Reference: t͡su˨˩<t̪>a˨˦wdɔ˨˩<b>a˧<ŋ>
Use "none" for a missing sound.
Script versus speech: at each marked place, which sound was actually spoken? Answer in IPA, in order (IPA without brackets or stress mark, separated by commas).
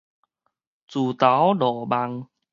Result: t̪, b, ŋ